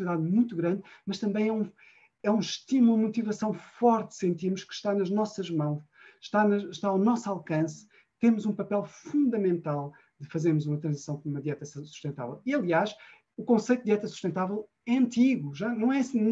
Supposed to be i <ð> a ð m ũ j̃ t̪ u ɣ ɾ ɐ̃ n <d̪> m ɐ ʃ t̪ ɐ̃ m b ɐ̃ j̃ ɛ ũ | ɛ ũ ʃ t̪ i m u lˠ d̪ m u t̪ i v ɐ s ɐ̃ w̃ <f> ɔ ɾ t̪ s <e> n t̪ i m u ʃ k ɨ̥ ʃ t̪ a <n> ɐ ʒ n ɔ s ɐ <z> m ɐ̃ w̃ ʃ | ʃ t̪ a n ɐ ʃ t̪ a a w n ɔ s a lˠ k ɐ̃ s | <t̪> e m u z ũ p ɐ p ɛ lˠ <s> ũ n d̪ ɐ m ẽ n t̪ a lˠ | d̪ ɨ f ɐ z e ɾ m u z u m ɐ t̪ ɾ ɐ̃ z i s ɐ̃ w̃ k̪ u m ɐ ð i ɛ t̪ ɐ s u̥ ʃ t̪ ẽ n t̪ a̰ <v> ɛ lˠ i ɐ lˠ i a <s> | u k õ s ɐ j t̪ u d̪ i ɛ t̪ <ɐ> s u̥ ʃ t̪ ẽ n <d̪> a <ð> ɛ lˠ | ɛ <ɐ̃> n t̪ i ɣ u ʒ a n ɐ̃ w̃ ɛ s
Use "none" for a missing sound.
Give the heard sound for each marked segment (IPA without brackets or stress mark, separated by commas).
ð, d̪, f, ẽ, n, ʒ, t̪, f, v, ʃ, ɐ, t̪, v, ɐ̃